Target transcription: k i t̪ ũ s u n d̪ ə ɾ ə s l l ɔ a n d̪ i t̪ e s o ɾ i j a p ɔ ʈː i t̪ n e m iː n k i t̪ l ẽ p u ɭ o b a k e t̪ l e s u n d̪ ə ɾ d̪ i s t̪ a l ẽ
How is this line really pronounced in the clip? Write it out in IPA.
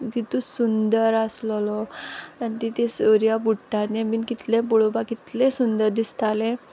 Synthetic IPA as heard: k i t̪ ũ s u n d̪ ə ɾ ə s l l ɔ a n t̪ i t̪ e s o ɾ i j a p u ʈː a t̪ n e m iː n k i t̪ l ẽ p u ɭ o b a k i t̪ l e s u n d̪ ə ɾ d̪ i s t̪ a l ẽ